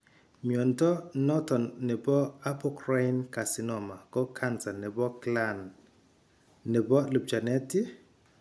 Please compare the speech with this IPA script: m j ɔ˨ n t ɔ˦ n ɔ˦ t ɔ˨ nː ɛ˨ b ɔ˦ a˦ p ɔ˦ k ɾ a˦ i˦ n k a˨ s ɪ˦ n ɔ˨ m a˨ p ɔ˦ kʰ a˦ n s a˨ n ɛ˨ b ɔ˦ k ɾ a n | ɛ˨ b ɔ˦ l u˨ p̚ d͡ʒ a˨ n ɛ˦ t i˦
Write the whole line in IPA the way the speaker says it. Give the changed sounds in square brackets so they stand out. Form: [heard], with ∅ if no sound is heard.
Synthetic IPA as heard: m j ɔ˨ n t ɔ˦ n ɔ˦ t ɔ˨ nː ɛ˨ b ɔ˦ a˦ p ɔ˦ k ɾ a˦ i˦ n k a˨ s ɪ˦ n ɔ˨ m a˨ [k] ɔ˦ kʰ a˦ n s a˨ n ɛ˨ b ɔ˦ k [l] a n | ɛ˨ b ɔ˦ l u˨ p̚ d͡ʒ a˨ n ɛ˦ t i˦

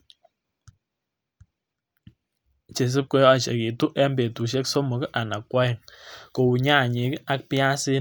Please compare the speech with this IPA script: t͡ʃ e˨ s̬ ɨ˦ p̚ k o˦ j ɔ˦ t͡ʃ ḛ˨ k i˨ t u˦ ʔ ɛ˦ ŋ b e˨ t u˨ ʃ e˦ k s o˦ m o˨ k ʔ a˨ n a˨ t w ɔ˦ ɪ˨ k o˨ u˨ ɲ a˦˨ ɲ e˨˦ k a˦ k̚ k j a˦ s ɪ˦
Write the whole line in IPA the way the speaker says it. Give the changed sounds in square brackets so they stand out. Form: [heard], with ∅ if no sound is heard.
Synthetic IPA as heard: t͡ʃ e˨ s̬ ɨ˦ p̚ k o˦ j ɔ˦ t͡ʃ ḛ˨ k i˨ t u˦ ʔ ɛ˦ [m] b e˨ t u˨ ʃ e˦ k s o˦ m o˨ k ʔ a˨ n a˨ [k] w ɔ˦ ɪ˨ k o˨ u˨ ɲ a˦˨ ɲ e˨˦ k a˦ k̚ [p] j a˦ s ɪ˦

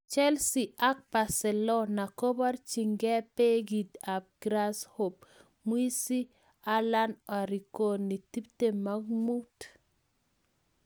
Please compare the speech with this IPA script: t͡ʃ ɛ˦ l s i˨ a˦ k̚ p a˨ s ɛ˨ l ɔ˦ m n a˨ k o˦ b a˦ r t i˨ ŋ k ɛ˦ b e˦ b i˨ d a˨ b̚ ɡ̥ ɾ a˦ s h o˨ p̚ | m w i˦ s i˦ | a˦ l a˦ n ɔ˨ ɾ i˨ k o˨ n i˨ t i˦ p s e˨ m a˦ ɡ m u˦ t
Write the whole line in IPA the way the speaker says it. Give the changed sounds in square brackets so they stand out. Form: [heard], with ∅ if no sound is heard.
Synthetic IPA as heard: t͡ʃ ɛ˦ l s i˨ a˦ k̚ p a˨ s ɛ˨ l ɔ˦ [∅] n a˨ k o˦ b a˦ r [t͡ʃ] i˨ ŋ [ɡ] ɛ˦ [p] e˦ [ɡ] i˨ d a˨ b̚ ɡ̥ ɾ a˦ s h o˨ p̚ | m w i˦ s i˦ | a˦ l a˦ n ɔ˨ ɾ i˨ k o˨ n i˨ t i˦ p [t] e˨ m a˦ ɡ m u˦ t

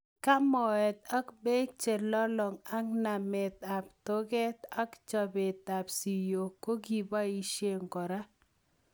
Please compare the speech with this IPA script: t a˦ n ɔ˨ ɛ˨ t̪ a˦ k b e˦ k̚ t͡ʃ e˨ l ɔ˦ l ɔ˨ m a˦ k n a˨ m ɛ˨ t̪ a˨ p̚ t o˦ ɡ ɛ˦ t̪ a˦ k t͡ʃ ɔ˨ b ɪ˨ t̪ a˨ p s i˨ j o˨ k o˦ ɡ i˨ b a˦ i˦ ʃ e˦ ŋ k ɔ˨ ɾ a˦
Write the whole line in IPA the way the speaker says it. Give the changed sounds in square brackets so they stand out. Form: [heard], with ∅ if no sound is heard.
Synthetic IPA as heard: [k] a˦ [m] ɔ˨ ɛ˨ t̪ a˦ k b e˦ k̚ t͡ʃ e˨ l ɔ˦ l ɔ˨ [ŋ] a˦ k n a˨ m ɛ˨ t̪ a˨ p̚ t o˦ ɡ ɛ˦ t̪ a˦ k t͡ʃ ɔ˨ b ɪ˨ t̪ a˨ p s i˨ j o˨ k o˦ ɡ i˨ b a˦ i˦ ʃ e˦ ŋ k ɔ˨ ɾ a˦

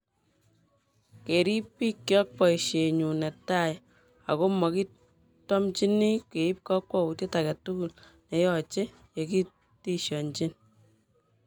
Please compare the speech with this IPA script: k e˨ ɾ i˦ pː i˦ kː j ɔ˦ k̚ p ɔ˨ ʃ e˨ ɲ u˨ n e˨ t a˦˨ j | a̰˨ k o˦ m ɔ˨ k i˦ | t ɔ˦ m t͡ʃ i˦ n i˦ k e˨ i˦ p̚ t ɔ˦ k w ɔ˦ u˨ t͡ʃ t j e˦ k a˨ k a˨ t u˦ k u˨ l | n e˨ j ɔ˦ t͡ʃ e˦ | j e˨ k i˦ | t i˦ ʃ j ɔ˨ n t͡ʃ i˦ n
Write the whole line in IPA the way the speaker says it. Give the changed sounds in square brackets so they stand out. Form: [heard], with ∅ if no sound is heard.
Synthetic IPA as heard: k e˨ ɾ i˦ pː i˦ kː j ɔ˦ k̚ p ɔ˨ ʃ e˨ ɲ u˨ n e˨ t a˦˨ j | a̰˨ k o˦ m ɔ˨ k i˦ | t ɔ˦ m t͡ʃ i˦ n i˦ k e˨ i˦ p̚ [k] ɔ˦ k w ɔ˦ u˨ [∅] t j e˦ [t] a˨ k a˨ t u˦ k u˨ l | n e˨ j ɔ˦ t͡ʃ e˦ | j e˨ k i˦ | t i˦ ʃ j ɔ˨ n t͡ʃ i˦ n

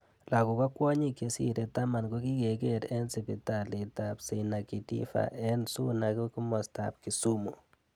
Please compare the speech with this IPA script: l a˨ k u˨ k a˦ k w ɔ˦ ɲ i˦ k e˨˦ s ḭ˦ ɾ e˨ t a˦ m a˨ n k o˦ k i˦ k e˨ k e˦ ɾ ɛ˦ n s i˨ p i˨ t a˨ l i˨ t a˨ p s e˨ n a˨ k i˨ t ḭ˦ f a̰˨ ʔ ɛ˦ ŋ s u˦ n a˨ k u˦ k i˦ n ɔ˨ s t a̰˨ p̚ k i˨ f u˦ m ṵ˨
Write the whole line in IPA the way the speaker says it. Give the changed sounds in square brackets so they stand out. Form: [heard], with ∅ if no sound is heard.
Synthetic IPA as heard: l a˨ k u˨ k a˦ k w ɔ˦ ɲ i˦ k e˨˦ s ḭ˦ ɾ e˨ t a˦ m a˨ n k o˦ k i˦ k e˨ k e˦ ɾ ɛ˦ n s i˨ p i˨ t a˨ l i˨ t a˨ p s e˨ n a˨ k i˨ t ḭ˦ f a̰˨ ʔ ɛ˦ [n] s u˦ n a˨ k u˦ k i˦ [m] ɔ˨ s t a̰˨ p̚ k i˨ [s] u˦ m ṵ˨

